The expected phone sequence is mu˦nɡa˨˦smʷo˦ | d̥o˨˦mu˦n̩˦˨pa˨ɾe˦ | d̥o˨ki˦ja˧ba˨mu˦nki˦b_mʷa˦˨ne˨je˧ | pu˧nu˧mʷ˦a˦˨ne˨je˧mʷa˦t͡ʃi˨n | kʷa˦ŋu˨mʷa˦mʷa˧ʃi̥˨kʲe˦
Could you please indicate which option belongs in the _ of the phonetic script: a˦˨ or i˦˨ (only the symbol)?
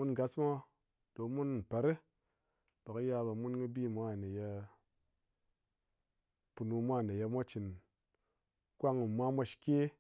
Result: i˦˨